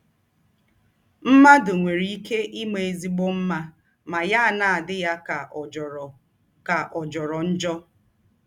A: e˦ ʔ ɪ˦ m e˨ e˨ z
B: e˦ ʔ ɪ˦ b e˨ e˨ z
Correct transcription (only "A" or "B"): A